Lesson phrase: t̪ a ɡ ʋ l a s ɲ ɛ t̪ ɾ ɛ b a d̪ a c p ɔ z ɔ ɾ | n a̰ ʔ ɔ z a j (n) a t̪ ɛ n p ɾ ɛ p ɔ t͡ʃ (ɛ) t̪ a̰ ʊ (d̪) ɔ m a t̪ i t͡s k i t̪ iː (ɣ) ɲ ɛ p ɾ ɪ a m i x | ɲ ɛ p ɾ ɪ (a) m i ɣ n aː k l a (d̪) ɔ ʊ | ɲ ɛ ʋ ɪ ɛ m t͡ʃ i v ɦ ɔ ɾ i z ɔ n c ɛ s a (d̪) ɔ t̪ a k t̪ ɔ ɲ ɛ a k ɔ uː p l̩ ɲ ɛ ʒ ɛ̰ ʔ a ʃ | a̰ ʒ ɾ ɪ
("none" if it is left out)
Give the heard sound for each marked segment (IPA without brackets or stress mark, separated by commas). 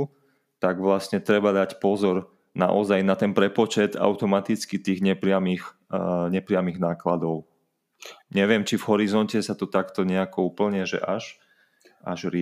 n, ɛ, t̪, ɣ, a, d̪, t̪